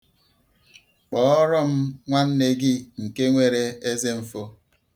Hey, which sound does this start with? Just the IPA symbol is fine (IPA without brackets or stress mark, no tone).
k͡p